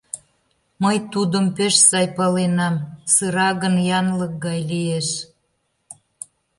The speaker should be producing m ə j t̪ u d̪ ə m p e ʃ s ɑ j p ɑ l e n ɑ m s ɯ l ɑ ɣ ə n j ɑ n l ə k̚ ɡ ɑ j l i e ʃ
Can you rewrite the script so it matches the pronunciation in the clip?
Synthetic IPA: m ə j t̪ u d̪ ə m p e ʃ s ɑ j p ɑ l e n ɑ m s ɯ ɾ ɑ ɣ ə n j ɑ n l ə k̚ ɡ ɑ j l i e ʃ